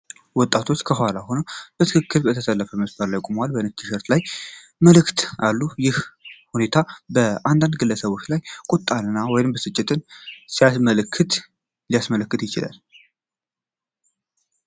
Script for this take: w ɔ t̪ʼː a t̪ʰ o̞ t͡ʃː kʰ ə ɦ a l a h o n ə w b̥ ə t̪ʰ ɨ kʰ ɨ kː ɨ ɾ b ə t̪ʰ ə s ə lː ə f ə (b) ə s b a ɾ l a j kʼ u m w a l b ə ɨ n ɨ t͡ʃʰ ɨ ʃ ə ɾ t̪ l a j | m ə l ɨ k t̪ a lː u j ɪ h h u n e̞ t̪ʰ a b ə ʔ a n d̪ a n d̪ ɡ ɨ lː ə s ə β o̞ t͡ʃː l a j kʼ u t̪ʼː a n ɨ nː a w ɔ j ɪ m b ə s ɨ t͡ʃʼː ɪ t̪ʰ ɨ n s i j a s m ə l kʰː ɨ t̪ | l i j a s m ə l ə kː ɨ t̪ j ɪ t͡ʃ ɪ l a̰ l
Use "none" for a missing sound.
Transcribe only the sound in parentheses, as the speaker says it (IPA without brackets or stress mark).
m